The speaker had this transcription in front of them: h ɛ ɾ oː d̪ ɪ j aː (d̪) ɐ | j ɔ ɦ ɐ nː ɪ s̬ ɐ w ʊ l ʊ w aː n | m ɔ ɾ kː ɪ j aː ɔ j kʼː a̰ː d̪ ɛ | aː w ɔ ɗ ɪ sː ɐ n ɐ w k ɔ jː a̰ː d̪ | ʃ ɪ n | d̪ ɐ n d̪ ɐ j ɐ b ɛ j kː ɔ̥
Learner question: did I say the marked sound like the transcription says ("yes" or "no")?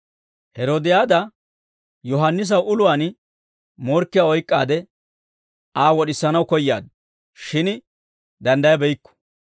yes